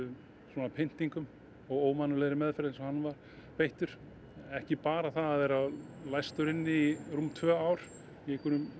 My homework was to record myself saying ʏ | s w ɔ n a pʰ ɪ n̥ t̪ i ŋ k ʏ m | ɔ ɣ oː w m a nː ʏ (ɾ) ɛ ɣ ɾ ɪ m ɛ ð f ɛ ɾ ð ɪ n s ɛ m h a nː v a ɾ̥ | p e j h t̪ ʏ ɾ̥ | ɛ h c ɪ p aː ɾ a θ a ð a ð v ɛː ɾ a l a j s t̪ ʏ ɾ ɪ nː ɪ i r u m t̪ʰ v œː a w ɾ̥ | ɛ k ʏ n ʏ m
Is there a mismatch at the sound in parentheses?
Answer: yes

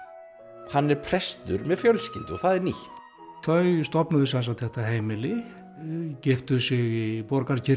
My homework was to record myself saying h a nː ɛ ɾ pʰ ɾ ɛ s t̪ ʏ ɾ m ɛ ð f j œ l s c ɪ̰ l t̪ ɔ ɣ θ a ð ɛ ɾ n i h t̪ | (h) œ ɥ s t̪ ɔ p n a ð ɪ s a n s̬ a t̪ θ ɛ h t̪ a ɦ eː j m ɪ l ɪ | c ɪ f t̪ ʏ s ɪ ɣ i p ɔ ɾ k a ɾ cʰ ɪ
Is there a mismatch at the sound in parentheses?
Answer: yes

